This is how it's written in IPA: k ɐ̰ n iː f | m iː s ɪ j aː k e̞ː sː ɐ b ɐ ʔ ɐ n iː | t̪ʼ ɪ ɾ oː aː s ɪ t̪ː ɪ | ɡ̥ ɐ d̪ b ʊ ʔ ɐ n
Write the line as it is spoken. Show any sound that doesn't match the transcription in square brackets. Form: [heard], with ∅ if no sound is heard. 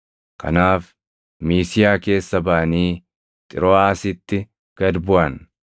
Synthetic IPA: k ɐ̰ n [aː] f | m iː s ɪ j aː k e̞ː sː ɐ b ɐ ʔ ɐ n iː | t̪ʼ ɪ ɾ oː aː s ɪ t̪ː ɪ | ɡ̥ ɐ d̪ b ʊ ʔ ɐ n